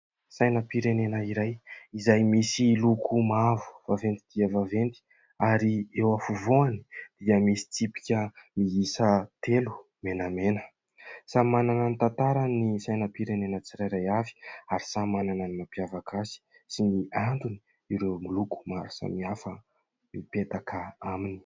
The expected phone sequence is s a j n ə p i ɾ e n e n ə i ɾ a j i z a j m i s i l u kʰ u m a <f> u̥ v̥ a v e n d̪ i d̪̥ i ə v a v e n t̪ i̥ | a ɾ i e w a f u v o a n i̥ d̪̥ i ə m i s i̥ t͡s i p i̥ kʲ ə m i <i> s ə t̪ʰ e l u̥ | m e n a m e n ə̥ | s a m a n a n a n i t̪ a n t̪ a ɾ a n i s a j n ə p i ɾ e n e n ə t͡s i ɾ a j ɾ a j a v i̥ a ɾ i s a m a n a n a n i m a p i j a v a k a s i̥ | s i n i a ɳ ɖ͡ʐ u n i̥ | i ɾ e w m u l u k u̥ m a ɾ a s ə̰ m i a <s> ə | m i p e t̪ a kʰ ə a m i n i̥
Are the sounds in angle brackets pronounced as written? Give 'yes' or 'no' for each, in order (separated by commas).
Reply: no, yes, no